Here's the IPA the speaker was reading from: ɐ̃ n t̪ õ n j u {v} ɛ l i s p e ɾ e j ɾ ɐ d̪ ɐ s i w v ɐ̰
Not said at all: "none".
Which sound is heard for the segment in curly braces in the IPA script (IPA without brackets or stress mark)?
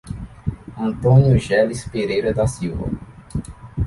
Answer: ʒ